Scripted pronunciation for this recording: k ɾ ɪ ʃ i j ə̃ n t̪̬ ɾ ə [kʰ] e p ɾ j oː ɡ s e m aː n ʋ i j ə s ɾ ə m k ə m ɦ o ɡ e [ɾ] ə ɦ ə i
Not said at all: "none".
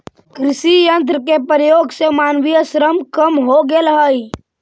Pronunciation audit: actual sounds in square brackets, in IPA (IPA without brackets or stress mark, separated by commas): k, l